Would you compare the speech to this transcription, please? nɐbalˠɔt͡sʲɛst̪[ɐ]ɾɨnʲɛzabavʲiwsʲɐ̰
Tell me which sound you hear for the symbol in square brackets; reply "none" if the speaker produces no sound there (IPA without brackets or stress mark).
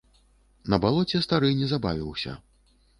a